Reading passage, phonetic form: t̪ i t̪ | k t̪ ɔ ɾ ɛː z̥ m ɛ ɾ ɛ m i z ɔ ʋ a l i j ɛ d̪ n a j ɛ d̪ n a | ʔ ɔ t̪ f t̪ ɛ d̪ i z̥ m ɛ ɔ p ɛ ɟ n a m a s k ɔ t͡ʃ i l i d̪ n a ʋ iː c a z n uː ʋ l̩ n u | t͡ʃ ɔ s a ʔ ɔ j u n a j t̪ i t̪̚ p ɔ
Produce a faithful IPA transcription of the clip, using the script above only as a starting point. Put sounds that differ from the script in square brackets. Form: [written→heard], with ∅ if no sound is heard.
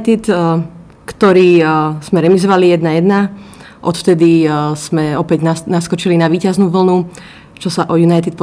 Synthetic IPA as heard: t̪ i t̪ | k t̪ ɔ ɾ [ɛː→iː] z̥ m ɛ ɾ ɛ m i z ɔ ʋ a l i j ɛ d̪ n a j ɛ d̪ n a | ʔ ɔ t̪ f t̪ ɛ d̪ i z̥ m ɛ ɔ p ɛ ɟ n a [m→n] a s k ɔ t͡ʃ i l i [d̪→∅] n a ʋ iː c a z n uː ʋ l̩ n u | t͡ʃ ɔ s a ʔ ɔ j u n a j t̪ i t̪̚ p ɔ